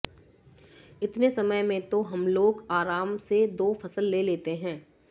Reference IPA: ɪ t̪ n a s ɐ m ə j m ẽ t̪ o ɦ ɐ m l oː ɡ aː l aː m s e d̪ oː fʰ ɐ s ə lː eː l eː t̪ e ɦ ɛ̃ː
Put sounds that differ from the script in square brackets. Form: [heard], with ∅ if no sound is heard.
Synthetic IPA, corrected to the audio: ɪ t̪ n [e] s ɐ m ə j m ẽ t̪ o ɦ ɐ m l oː ɡ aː [ɾ] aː m s e d̪ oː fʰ ɐ s ə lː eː l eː t̪ e ɦ ɛ̃ː